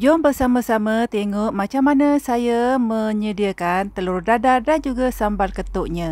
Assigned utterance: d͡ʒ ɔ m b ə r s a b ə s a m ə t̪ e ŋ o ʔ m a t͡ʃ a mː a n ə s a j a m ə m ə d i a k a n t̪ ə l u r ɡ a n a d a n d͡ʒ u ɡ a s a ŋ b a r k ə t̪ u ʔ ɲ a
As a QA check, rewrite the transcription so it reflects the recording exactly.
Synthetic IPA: d͡ʒ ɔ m b ə r s a m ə s a m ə t̪ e ŋ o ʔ m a t͡ʃ a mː a n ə s a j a m ə ɲ ə d i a k a n t̪ ə l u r d a d a d a n d͡ʒ u ɡ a s a m b a l k ə t̪ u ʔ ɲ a

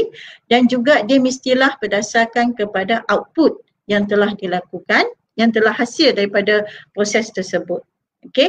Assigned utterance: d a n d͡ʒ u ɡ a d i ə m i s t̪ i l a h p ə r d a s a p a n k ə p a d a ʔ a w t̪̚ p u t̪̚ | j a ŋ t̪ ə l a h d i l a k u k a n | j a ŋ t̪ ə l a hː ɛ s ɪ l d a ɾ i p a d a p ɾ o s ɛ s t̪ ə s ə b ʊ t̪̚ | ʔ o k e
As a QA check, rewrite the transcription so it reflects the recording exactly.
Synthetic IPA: d a n d͡ʒ u ɡ a d i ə m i s t̪ i l a h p ə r d a s a k a n k ə p a d a ʔ a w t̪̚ p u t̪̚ | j a ŋ t̪ ə l a h d i l a k u k a n | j a ŋ t̪ ə l a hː a s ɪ l d a ɾ i p a d a p ɾ o s ɛ s t̪ ə s ə b ʊ t̪̚ | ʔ o k e

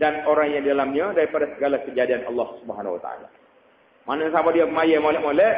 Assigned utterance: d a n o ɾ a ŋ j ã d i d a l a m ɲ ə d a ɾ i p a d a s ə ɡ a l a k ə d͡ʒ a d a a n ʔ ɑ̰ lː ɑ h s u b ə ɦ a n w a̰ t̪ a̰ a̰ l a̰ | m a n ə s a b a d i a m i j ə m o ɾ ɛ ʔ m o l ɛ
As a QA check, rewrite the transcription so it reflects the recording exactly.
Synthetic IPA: d a n o ɾ a ŋ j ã d i d a l a m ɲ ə d a ɾ i p a d a s ə ɡ a l a k ə d͡ʒ a d i a n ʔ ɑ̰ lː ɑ h s u b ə ɦ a n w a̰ t̪ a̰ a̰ l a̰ | m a n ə s a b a d i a m a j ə m o l ɛ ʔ m o l ɛ

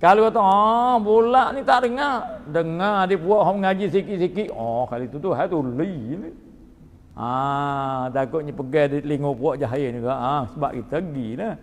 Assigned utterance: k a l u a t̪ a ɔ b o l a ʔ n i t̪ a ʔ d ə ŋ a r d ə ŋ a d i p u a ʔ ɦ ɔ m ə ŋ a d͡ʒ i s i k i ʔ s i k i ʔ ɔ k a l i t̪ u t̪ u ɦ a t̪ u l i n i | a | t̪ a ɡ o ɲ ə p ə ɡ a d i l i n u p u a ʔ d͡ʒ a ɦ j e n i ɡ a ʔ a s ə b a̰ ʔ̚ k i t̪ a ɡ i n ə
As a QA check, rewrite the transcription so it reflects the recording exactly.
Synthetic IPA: k a l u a t̪ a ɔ b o l a ʔ n i t̪ a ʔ d ə ŋ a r d ə ŋ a d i p u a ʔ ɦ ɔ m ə ŋ a d͡ʒ i s i k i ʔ s i k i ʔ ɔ k a l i t̪ u t̪ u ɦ a t̪ u l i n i | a | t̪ a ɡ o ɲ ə p ə ɡ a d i l i ŋ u p u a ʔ d͡ʒ a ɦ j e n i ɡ a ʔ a s ə b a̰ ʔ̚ k i t̪ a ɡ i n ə

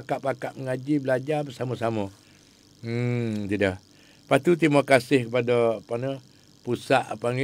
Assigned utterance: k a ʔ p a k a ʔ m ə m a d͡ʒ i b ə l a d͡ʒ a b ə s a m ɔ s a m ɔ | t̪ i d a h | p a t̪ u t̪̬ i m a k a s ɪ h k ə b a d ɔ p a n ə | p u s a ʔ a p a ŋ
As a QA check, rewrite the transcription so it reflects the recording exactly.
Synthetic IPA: k a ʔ p a k a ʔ m ə ŋ a d͡ʒ i b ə l a d͡ʒ a b ə s a m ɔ s a m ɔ | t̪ i d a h | p a t̪ u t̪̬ i m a k a s ɪ h k ə p a d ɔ p a n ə | p u s a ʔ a p a ŋ

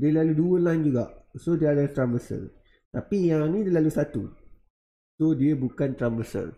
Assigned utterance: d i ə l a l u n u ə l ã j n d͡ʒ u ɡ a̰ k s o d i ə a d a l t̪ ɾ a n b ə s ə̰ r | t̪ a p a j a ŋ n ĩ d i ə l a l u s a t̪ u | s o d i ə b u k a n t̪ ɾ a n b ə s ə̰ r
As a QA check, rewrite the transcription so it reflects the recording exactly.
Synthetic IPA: d i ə l a l u d u ə l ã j n d͡ʒ u ɡ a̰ ʔ s o d i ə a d a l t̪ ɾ a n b ə s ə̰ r | t̪ a p i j a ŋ n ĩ d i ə l a l u s a t̪ u | s o d i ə b u k a n t̪ ɾ a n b ə s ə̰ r

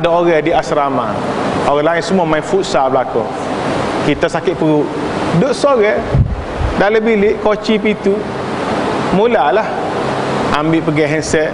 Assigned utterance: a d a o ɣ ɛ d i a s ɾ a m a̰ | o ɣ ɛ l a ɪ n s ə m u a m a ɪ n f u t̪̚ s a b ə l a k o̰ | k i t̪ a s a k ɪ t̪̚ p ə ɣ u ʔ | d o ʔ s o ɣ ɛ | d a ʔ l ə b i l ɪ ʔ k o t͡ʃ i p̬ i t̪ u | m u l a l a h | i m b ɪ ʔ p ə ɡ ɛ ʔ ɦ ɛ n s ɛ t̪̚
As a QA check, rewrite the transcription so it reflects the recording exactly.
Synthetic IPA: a d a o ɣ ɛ d i a s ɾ a m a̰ | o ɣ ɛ l a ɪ n s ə m u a m a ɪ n f u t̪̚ s a b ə l a k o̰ | k i t̪ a s a k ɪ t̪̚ p ə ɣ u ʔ | d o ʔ s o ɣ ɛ | d a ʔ l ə b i l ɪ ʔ k o t͡ʃ i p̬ i t̪ u | m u l a l a h | a m b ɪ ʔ p ə ɡ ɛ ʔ ɦ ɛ n s ɛ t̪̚

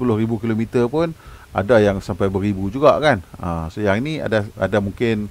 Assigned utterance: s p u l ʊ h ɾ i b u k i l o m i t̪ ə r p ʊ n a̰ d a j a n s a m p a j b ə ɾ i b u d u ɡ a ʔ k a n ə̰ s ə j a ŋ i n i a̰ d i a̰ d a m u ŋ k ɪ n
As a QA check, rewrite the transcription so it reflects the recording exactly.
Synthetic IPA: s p u l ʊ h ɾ i b u k i l o m i t̪ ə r p ʊ n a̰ d a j a ŋ s a m p a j b ə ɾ i b u d͡ʒ u ɡ a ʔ k a n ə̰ s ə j a ŋ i n i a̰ d a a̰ d a m u ŋ k ɪ n

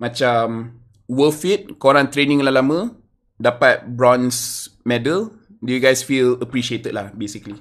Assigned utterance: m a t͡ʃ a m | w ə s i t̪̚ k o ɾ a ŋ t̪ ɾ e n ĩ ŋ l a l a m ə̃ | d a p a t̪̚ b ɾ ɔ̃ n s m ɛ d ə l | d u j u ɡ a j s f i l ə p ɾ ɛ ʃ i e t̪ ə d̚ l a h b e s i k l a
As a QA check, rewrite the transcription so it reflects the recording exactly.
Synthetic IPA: m a t͡ʃ a m | w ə f i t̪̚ k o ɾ a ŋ t̪ ɾ e n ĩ ŋ l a l a m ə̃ | d a p a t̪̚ b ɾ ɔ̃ n s m ɛ d ə l | d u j u ɡ a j s f i l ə p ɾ i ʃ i e t̪ ə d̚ l a h b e s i k l i

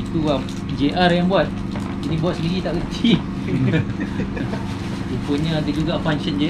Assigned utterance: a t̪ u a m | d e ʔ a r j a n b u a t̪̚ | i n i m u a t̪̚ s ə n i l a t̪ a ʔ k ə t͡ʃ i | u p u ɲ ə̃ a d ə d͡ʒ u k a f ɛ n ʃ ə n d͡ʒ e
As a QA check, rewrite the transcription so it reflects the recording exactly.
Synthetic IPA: i t̪ u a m | d͡ʒ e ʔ a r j a ŋ b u a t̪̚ | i n i b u a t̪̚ s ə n i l i t̪ a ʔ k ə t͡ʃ i | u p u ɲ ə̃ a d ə d͡ʒ u ɡ a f a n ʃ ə n d͡ʒ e

